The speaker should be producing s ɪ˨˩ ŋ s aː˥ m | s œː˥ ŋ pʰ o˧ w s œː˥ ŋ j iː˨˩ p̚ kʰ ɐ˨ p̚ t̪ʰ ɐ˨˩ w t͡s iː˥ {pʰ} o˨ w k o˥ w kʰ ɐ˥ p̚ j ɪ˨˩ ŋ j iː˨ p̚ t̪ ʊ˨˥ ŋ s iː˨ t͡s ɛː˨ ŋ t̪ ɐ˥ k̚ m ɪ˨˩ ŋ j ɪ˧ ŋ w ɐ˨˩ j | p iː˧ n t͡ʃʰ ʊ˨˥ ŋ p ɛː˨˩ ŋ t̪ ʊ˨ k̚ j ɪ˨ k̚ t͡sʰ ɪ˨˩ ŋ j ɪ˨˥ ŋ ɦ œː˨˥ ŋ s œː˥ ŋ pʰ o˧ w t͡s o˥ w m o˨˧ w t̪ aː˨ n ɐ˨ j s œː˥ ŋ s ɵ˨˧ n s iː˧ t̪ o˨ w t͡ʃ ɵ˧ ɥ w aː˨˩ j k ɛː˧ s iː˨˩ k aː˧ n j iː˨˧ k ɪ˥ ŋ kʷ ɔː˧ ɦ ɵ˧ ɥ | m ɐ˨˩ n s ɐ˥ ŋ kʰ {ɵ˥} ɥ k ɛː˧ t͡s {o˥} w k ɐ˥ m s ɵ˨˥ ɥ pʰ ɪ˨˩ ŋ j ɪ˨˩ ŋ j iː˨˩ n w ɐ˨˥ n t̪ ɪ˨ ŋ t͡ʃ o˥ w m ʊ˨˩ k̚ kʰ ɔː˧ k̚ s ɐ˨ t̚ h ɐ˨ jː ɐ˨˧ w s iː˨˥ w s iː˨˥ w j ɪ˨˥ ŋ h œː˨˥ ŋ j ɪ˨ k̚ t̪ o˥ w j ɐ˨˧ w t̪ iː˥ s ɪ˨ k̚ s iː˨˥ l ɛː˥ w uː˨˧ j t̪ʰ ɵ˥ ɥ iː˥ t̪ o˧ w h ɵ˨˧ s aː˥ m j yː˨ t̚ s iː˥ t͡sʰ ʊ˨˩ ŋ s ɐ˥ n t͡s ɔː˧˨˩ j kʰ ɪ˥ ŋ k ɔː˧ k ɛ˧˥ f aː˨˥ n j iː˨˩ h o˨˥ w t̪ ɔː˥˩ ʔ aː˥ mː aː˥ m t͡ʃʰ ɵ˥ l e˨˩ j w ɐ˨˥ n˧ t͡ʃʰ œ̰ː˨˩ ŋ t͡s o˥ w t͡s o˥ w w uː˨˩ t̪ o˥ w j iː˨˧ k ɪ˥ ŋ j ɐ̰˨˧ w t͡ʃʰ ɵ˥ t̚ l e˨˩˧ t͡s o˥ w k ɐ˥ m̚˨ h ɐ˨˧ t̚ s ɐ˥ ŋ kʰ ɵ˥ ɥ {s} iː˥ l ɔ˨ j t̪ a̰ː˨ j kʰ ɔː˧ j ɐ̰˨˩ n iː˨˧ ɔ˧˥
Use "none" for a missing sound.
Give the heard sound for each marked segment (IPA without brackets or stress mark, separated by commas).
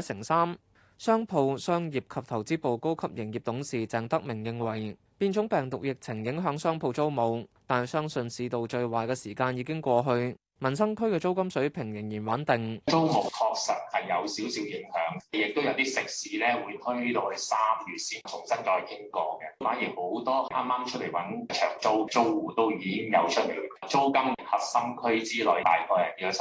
p, ɵ˥, o˥, t͡s